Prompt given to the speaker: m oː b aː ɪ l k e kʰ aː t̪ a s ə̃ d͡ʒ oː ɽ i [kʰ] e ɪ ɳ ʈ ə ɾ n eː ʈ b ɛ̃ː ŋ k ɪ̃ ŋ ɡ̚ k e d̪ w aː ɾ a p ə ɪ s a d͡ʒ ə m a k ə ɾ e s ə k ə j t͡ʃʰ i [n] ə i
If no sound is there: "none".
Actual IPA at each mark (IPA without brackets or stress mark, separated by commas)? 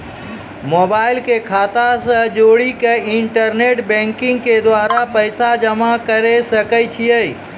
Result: k, none